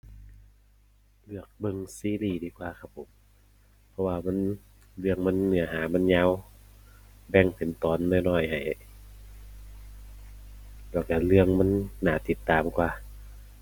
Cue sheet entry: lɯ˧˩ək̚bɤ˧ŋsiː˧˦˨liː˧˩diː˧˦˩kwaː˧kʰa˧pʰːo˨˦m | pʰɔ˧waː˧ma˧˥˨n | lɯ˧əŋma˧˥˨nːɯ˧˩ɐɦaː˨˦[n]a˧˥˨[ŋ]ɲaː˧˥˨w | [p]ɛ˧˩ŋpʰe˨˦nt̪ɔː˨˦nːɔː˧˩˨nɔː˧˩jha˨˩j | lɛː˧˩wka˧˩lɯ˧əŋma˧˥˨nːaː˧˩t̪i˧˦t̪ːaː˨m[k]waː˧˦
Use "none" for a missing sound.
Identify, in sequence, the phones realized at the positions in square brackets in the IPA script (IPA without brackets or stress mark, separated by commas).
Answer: m, n, b, k